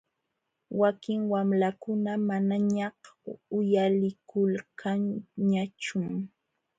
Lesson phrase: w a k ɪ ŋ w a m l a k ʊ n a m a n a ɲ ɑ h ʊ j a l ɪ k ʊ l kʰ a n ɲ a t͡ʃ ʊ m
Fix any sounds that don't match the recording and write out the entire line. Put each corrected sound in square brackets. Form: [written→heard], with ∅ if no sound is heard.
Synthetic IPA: w a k ɪ ŋ w a m l a k ʊ n a m a n a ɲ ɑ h ʊ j a l ɪ k ʊ l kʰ a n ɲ a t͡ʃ ʊ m